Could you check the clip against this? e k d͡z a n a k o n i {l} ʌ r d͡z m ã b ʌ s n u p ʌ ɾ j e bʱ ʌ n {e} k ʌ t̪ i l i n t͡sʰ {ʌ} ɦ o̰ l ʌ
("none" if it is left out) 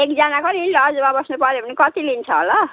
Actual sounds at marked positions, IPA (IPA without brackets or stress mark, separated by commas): l, i, ʌ